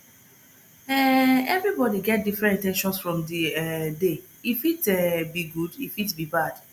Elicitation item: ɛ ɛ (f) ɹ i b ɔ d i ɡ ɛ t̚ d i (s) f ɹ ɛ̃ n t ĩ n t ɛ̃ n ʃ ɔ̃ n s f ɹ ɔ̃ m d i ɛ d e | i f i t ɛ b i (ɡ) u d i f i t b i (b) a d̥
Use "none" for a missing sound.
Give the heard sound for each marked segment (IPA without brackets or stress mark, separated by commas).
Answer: v, none, ɡ, b